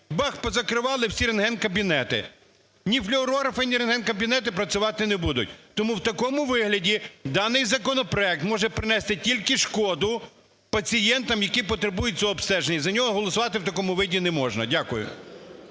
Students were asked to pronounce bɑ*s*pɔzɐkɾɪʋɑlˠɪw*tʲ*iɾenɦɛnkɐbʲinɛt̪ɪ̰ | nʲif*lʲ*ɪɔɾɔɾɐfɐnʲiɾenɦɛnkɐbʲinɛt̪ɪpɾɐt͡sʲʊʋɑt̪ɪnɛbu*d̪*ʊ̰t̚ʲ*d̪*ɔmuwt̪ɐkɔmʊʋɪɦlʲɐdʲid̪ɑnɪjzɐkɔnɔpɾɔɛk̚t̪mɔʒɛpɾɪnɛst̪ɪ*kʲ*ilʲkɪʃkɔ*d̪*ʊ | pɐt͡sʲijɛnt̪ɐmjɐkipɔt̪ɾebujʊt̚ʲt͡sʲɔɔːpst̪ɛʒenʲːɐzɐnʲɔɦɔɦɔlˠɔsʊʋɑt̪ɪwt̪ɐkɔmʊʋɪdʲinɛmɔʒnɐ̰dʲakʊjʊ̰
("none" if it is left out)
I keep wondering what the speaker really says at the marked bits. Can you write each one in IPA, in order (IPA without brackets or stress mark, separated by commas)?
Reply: x, sʲ, lʲ, d̪, t̪, tʲ, d̪